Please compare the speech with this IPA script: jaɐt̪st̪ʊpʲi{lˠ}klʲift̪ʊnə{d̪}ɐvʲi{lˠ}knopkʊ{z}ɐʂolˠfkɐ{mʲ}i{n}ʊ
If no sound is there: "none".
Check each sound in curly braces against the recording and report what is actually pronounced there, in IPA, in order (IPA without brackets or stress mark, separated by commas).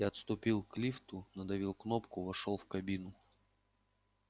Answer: lˠ, d̪, lˠ, v, bʲ, n